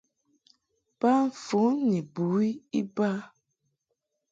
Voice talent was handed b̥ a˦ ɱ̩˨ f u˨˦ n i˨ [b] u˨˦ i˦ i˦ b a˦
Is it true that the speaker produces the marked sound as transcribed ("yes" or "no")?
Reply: yes